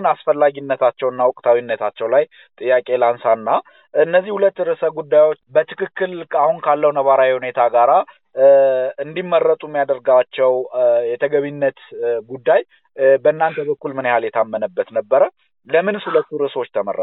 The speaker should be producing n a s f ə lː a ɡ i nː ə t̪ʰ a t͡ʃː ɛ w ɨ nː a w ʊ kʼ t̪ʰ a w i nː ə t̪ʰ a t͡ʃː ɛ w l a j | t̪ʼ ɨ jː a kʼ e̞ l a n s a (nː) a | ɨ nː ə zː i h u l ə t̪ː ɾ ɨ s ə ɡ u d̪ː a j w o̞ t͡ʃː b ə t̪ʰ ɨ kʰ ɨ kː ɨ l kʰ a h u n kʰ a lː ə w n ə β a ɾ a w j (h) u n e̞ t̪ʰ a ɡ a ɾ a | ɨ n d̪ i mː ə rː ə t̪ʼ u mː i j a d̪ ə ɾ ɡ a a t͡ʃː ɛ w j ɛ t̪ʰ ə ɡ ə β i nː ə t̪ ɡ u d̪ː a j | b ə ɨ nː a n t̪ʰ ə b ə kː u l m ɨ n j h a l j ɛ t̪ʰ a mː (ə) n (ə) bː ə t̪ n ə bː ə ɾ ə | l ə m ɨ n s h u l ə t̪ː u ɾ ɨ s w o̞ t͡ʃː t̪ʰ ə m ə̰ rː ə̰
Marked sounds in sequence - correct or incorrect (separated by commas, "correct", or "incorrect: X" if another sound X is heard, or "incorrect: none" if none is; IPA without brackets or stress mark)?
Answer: correct, correct, correct, correct